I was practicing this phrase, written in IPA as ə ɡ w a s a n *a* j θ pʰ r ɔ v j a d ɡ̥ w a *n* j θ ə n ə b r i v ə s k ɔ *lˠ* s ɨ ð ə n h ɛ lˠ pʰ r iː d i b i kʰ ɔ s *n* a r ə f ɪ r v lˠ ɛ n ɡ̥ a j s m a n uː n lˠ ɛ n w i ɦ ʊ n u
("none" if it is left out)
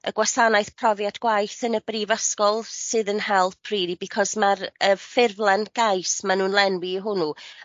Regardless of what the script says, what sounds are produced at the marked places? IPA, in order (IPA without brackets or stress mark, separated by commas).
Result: a, none, lˠ, m